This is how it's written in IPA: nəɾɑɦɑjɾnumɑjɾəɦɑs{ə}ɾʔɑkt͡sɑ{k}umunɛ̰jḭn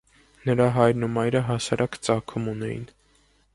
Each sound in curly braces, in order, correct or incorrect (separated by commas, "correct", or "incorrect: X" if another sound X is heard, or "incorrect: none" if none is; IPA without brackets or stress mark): incorrect: ɑ, incorrect: kʰ